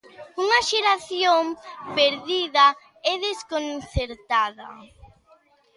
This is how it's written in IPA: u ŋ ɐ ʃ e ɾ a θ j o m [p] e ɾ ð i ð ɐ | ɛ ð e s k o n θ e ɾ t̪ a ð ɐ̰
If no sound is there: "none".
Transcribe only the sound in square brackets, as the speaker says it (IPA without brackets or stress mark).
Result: p